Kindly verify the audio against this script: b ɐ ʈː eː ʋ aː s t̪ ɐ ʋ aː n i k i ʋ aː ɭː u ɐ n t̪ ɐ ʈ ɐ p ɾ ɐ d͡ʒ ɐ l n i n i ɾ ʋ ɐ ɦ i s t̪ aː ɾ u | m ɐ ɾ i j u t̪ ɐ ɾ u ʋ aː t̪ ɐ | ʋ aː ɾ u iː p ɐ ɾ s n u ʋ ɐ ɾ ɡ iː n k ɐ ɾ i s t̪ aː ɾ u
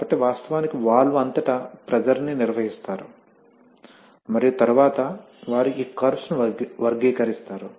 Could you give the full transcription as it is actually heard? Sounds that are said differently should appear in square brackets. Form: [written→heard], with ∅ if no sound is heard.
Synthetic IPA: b ɐ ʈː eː ʋ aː s t̪ ɐ ʋ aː n i k i ʋ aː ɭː u ɐ n t̪ ɐ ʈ ɐ p ɾ ɐ d͡ʒ ɐ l n i n i ɾ ʋ ɐ ɦ i s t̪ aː ɾ u | m ɐ ɾ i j u t̪ ɐ ɾ u ʋ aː t̪ ɐ | ʋ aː ɾ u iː [p→k] ɐ ɾ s n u ʋ ɐ ɾ ɡ iː [n→∅] k ɐ ɾ i s t̪ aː ɾ u

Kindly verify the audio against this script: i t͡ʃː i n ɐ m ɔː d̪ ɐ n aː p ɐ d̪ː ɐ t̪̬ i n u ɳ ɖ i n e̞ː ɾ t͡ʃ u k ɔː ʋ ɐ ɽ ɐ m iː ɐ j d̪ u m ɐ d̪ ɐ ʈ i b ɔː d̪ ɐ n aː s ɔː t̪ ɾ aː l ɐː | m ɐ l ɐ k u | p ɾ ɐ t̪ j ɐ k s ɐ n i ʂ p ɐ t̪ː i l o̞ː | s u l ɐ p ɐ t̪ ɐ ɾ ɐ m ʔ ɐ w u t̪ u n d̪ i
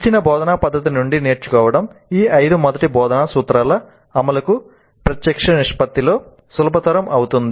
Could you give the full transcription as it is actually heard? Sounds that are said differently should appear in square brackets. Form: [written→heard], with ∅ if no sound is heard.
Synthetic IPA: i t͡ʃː i n ɐ [m→b] ɔː d̪ ɐ n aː p ɐ d̪ː ɐ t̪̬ i n u ɳ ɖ i n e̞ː ɾ t͡ʃ u k ɔː ʋ ɐ ɽ ɐ m iː ɐ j d̪ u m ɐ d̪ ɐ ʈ i b ɔː d̪ ɐ n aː s [ɔː→uː] t̪ ɾ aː l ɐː | m ɐ l ɐ k u | p ɾ ɐ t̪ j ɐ k [s→ʂ] ɐ n i ʂ p ɐ t̪ː i l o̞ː | s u l ɐ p ɐ t̪ ɐ ɾ ɐ m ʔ ɐ w u t̪ u n d̪ i

